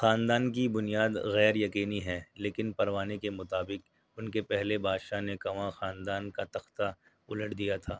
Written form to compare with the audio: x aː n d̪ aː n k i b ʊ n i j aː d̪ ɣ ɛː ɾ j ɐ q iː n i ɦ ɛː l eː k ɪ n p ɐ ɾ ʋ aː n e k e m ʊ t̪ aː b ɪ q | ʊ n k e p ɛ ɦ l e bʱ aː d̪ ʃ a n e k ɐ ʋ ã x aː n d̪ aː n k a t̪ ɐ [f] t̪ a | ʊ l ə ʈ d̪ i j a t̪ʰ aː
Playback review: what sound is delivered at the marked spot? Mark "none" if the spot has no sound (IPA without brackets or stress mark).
x